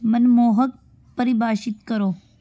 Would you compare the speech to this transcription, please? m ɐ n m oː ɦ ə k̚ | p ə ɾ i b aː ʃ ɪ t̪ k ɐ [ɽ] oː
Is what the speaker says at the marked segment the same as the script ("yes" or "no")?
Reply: no